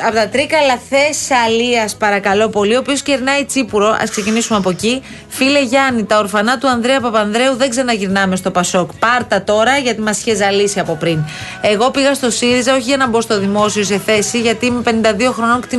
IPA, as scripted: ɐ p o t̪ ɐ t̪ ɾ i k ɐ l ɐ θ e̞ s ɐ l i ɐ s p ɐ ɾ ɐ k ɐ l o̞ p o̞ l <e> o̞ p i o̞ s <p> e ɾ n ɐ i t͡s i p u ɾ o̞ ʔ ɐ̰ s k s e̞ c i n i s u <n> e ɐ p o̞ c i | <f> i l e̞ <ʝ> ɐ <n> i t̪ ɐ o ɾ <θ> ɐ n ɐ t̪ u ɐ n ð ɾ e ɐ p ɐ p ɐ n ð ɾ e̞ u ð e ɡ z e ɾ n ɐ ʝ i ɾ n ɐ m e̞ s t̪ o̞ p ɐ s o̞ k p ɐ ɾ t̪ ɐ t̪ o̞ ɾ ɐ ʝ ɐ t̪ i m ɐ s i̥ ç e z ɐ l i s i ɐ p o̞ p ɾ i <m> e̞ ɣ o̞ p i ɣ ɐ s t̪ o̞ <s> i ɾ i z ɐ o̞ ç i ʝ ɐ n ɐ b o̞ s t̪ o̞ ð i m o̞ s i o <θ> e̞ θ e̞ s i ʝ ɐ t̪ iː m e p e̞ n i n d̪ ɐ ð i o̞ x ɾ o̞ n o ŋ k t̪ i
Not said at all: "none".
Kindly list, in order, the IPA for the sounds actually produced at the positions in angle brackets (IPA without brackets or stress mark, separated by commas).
i, c, m, f, ʝ, n, f, n, s, s